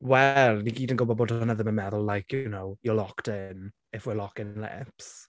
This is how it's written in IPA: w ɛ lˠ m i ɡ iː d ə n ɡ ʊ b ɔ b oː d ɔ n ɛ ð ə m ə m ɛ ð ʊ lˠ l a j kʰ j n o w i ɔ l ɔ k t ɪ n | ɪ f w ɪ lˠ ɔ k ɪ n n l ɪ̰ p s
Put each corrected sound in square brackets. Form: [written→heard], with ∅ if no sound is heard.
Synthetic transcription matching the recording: w ɛ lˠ [m→n] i ɡ iː d ə n ɡ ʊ b ɔ b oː d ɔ n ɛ ð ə m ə m ɛ ð ʊ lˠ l a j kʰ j n o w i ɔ l ɔ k t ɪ n | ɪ f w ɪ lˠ ɔ k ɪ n n l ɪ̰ p s